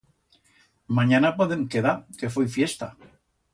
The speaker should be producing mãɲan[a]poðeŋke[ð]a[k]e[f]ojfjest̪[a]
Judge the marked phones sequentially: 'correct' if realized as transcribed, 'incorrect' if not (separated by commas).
correct, correct, correct, correct, correct